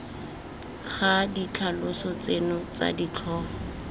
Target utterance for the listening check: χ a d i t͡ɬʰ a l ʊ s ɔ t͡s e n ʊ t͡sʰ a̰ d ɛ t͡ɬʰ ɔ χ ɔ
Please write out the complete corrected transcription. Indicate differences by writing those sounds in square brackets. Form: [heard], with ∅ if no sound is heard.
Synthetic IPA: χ a d i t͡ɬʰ a l ʊ s ɔ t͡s e n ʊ [t͡s] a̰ d [i] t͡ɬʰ [ɔː] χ ɔ